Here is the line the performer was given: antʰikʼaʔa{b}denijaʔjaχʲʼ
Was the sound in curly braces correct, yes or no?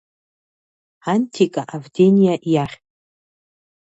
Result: no